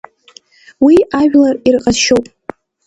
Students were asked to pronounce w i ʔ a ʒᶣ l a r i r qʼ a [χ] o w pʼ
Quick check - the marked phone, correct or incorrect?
incorrect